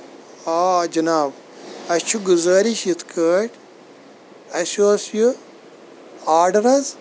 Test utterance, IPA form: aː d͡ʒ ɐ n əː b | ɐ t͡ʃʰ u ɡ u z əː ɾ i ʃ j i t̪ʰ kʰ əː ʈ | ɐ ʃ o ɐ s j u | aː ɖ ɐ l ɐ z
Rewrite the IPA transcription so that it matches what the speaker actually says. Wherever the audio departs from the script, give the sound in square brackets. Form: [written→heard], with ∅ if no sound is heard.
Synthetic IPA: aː d͡ʒ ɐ n [əː→aː] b | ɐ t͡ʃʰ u ɡ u z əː ɾ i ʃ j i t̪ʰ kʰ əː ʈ | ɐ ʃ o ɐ s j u | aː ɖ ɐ [l→ɾ] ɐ z